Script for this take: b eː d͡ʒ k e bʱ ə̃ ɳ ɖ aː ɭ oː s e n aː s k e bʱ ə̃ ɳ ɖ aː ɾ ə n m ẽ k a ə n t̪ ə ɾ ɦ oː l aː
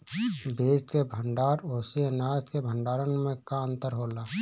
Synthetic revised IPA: b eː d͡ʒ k e bʱ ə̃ ɳ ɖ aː ɾ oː s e n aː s k e bʱ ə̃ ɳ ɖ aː ɾ ə n m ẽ k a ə n t̪ ə ɾ ɦ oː l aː